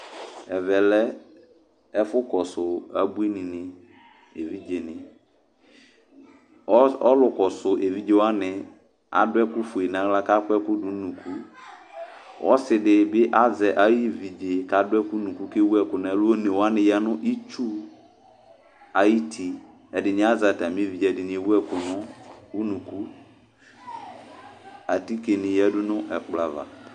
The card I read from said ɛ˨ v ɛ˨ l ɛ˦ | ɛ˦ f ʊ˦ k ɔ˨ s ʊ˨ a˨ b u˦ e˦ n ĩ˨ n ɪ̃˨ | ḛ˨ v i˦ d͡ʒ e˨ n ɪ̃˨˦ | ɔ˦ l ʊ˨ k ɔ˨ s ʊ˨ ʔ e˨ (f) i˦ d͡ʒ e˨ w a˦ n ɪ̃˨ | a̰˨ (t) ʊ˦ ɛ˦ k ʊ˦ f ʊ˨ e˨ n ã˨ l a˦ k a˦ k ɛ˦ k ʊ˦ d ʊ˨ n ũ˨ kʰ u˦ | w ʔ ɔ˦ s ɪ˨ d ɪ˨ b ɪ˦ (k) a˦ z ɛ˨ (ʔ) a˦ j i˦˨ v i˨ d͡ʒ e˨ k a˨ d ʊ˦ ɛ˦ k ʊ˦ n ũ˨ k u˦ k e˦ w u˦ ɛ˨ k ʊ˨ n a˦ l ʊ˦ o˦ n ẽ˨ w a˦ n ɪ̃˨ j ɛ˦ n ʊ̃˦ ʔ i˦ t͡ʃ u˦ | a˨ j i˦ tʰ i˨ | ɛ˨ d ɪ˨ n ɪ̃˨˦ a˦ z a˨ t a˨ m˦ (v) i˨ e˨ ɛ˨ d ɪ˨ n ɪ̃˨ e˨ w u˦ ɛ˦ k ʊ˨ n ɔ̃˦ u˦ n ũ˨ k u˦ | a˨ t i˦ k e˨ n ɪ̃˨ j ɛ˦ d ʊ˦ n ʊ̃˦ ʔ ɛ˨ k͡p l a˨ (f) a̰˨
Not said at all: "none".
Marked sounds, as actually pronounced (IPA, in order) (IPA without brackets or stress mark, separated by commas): v, d, ʔ, ʔ, v, v